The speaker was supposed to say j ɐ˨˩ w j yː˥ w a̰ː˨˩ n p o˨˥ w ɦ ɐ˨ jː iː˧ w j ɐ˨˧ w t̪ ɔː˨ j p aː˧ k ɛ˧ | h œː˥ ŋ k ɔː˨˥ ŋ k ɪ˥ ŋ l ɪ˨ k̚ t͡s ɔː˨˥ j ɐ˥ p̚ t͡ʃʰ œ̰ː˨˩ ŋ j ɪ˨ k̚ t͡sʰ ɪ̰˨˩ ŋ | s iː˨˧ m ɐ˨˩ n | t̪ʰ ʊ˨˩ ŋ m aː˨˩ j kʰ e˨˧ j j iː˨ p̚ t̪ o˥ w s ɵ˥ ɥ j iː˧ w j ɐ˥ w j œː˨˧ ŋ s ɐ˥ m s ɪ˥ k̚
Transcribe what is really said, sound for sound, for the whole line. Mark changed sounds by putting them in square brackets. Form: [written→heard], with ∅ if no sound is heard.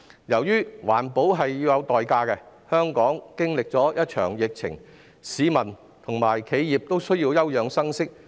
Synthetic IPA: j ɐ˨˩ w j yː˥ w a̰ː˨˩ n p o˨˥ w ɦ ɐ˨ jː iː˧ w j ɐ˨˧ w t̪ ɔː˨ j [p→k] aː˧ k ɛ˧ | h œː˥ ŋ k ɔː˨˥ ŋ k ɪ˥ ŋ l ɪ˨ k̚ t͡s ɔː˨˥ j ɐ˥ [p̚→t̚] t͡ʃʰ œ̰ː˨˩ ŋ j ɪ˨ k̚ t͡sʰ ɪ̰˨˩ ŋ | s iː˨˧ m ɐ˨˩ n | t̪ʰ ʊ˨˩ ŋ m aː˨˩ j kʰ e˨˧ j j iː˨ p̚ t̪ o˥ w s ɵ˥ ɥ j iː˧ w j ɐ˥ w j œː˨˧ ŋ s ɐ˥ [m→ŋ] s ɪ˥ k̚